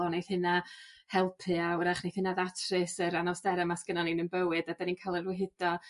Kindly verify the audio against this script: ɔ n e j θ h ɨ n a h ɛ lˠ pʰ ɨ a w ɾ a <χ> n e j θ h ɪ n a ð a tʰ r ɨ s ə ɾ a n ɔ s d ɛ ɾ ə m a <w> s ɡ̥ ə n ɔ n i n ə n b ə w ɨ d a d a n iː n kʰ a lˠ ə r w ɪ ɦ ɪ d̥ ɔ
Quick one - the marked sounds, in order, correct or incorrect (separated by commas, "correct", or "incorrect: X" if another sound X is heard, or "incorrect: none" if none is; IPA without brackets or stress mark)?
correct, incorrect: none